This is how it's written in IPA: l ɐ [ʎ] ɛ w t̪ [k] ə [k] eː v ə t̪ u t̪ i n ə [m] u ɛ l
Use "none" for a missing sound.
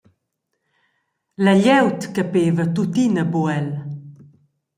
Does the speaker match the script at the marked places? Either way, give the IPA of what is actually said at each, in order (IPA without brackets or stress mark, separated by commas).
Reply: ʎ, k, p, b